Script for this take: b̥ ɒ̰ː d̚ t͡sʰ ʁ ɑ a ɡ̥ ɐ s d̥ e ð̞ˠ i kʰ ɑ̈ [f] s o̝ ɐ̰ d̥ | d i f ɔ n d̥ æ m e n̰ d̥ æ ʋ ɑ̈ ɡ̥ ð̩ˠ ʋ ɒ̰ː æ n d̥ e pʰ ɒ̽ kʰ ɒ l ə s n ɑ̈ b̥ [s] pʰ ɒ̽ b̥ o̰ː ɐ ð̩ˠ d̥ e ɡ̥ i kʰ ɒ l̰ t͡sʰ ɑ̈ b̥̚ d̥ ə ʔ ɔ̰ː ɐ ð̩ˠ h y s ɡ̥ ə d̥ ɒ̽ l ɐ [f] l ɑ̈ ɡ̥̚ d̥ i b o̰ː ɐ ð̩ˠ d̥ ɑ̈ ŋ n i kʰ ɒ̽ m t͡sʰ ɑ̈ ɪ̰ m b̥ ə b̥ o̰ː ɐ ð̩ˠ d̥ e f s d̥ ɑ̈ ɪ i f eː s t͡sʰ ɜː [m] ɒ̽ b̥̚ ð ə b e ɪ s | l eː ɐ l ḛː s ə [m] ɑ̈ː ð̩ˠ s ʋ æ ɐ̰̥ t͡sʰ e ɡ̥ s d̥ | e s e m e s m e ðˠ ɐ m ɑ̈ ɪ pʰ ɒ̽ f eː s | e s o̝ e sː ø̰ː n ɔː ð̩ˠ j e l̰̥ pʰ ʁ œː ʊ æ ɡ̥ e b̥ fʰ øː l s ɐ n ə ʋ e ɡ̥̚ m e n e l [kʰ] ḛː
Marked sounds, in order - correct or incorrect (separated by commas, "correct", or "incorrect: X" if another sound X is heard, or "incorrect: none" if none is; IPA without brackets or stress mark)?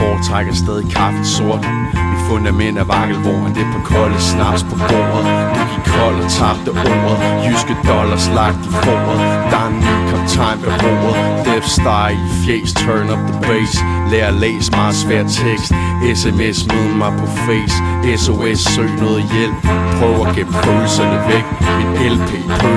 correct, correct, incorrect: s, incorrect: n, correct, incorrect: pʰ